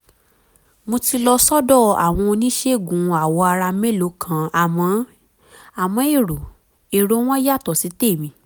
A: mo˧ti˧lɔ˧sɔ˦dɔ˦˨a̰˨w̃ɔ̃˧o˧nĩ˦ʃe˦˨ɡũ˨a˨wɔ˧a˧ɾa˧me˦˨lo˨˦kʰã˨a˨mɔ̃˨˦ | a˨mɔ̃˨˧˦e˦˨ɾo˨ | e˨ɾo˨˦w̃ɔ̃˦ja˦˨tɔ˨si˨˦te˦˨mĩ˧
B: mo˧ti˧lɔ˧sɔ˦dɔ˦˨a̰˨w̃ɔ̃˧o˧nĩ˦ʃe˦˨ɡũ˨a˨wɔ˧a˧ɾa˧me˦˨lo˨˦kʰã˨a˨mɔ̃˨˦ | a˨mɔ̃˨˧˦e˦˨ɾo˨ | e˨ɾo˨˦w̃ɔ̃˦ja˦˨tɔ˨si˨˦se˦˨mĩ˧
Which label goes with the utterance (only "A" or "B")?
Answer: A